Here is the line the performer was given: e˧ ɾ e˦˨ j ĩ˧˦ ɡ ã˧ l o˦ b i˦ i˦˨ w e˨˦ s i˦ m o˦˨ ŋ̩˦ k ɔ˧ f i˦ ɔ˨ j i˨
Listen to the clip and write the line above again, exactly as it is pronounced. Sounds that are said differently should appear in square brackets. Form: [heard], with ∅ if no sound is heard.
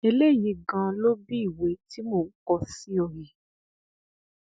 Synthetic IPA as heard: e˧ [l] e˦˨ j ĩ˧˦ ɡ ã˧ l o˦ b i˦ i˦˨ w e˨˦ [t] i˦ m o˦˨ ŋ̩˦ k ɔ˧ [s] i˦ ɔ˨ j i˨